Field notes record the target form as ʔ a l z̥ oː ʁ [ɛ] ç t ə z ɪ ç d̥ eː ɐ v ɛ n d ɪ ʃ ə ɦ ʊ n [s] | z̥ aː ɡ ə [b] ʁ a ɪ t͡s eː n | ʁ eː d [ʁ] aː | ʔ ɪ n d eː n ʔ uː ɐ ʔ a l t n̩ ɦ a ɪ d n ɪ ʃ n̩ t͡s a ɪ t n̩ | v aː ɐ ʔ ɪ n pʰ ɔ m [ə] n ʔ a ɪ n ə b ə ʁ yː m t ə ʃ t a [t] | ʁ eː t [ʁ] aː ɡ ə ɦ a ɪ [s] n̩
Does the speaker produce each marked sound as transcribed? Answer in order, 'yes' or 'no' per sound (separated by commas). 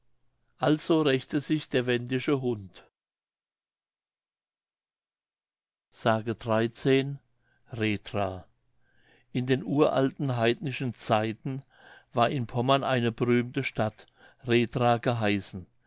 yes, no, no, yes, no, yes, yes, yes